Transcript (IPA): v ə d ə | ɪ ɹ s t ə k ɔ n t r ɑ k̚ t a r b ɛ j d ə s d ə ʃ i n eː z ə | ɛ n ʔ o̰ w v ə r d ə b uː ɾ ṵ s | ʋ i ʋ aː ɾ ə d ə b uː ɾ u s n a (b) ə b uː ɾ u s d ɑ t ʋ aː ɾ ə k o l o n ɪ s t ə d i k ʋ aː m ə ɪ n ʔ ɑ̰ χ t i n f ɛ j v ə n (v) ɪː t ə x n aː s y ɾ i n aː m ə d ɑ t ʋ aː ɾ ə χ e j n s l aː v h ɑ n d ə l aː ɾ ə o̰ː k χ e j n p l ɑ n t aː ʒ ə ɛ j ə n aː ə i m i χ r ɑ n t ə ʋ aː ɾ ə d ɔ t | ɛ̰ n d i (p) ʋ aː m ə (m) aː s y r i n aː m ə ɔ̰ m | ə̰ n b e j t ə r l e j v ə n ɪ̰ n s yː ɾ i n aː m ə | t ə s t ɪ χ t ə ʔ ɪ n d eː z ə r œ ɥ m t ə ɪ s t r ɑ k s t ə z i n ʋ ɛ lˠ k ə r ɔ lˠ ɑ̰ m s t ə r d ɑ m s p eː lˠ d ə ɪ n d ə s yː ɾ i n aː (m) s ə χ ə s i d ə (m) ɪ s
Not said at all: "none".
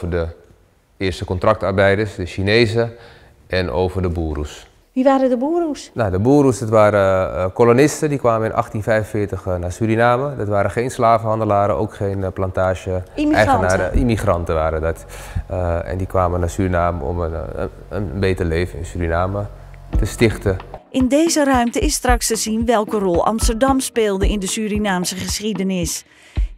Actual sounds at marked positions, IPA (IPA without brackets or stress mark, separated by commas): d, f, k, n, m, n